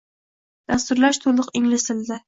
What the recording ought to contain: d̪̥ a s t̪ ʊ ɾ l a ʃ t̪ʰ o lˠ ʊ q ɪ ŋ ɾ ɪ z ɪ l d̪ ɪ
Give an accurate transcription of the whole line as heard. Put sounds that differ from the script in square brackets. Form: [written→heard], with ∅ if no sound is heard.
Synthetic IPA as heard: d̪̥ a s t̪ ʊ ɾ l a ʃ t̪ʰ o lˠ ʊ q ɪ ŋ [ɾ→l] ɪ [z→s] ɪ l d̪ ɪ